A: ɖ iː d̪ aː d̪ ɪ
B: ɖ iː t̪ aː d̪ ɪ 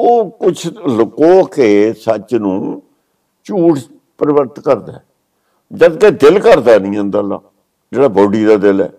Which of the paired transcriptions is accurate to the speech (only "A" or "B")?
A